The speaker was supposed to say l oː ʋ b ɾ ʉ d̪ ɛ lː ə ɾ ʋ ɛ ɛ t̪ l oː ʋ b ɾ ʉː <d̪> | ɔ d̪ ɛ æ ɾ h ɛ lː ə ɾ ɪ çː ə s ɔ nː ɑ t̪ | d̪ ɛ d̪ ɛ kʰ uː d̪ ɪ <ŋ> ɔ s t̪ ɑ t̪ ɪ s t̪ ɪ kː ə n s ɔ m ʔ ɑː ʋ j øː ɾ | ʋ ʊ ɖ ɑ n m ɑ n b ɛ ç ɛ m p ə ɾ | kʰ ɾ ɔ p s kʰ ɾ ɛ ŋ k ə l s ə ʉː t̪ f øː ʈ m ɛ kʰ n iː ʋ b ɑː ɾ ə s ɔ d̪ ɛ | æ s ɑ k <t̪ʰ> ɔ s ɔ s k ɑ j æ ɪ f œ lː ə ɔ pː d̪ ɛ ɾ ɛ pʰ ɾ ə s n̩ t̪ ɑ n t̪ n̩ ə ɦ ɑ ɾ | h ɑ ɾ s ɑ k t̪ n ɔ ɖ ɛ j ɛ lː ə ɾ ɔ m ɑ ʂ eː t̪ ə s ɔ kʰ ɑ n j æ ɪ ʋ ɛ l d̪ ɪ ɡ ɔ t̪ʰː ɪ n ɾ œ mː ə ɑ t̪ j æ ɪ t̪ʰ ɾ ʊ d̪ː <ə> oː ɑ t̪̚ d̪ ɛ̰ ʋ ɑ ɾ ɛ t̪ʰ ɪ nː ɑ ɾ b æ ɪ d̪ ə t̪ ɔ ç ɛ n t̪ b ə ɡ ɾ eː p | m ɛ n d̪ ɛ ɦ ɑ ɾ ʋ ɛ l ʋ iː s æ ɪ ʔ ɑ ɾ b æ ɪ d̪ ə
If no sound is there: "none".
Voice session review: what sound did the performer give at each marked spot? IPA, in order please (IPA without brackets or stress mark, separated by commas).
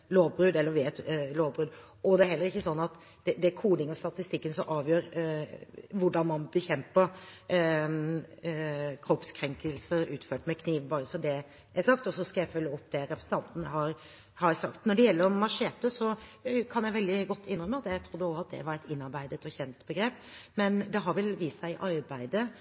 d̪, ŋ, t̪, ə